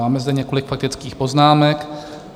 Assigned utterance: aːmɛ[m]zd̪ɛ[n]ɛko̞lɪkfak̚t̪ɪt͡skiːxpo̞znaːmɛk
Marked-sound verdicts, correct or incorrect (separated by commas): incorrect, incorrect